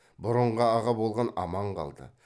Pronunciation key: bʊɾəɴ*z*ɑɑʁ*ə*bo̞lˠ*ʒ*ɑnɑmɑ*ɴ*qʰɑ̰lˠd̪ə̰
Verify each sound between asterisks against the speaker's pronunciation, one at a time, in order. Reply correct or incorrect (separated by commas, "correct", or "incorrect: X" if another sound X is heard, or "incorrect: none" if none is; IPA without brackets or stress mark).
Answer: incorrect: ʁ, incorrect: ɑ, incorrect: ʁ, correct